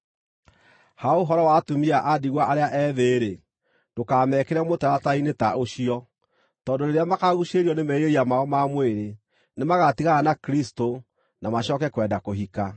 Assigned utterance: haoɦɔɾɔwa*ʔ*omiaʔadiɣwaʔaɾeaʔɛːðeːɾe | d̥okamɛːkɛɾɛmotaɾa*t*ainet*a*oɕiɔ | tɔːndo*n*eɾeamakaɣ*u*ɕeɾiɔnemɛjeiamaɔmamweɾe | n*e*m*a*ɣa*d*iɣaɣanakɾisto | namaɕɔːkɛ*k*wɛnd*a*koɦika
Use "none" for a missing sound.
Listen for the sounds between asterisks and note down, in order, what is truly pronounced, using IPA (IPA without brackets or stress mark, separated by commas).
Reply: t, t, a, n, u, e, a, t, k, a